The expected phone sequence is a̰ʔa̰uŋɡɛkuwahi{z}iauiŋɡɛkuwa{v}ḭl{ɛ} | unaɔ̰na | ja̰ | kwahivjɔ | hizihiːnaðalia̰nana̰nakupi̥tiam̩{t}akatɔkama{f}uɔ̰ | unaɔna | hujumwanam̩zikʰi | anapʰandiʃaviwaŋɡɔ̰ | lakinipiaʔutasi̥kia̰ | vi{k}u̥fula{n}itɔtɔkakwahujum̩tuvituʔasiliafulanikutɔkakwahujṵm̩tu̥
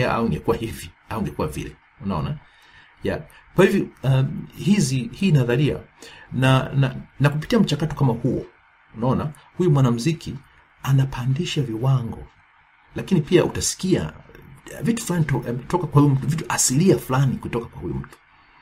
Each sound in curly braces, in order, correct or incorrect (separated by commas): incorrect, correct, correct, incorrect, incorrect, incorrect, correct